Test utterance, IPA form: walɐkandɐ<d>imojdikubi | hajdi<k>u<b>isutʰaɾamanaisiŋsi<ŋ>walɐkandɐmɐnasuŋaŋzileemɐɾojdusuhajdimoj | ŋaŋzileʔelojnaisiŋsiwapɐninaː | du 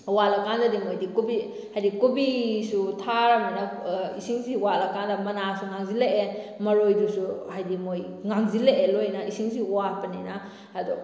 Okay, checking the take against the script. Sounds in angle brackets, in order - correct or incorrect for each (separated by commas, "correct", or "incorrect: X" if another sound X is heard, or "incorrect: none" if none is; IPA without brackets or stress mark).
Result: correct, correct, correct, incorrect: none